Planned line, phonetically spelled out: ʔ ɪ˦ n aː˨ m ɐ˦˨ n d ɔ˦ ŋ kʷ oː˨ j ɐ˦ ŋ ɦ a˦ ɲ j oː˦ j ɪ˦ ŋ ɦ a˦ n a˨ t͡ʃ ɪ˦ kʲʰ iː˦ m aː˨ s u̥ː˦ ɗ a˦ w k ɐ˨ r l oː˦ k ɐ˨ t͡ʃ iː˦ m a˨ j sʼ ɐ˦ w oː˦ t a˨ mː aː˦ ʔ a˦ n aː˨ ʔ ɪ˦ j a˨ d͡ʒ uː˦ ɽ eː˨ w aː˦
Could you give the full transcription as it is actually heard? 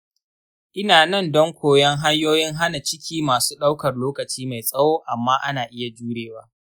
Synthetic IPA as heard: ʔ ɪ˦ n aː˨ n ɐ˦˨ n d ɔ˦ ŋ kʷ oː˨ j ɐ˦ ŋ ɦ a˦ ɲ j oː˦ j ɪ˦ ŋ ɦ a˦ n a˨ t͡ʃ ɪ˦ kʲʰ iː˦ m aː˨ s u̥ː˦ ɗ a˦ w k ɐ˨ r l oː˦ k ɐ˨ t͡ʃ iː˦ m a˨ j sʼ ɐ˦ w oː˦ ʔ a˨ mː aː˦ ʔ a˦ n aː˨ ʔ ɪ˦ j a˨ d͡ʒ uː˦ ɽ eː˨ w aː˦